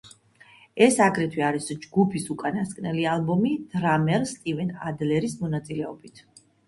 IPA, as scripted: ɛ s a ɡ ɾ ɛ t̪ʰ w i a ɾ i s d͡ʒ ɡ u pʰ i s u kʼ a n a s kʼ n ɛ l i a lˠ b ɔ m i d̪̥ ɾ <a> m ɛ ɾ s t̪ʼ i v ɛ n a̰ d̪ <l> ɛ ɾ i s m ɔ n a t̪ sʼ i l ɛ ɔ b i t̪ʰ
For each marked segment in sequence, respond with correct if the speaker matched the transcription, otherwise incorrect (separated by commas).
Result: correct, correct